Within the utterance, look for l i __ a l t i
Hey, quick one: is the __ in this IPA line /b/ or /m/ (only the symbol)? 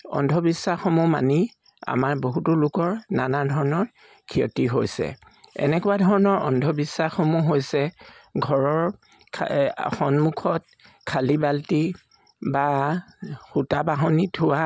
b